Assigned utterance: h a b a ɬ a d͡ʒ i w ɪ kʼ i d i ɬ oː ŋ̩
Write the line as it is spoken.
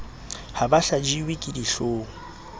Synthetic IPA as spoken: h a b a ɬ a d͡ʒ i w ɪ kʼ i d i ɬ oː ŋ̩

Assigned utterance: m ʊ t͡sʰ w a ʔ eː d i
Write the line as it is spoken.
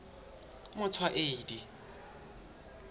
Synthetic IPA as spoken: m ʊ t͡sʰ w a ʔ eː d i

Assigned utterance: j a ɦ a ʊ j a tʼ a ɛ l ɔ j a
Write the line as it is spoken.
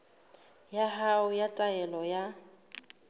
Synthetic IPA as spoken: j a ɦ a ʊ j a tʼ a ɛ l ɔ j a

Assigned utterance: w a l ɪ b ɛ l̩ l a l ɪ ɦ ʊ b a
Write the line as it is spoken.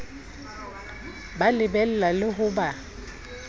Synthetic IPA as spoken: b a l ɪ b ɛ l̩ l a l ɪ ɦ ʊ b a

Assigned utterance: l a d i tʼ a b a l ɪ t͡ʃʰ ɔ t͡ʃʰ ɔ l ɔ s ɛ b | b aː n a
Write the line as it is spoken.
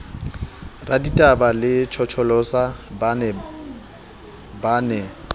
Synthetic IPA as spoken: r a d i tʼ a b a l ɪ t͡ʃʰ ɔ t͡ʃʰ ɔ l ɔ s a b | b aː n ɛ

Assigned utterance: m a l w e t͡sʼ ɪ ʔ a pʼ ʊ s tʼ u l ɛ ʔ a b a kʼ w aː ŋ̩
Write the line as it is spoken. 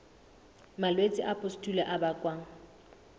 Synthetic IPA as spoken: m a l w e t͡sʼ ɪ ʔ a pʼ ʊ s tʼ u l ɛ ʔ a b a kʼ w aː ŋ̩

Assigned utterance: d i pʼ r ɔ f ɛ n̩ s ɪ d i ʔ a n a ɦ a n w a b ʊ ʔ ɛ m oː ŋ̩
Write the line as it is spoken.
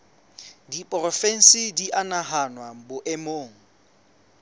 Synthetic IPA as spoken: d i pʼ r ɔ f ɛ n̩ s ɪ d i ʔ a n a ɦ a n w a b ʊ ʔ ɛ m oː ŋ̩

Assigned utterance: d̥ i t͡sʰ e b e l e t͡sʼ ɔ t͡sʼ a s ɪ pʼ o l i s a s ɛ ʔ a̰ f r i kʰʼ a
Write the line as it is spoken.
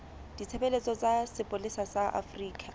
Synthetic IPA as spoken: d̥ i t͡sʰ e b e l e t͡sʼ ɔ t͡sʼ a s ɪ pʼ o l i s a s a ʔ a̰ f r iː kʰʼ a

